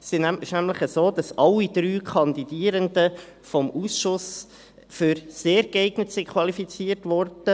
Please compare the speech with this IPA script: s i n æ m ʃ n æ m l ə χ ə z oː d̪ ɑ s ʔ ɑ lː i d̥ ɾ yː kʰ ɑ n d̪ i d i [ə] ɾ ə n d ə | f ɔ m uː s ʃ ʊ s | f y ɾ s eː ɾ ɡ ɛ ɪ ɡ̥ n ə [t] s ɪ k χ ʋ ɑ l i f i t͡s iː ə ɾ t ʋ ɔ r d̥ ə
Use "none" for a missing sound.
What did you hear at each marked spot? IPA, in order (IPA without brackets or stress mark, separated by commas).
ə, t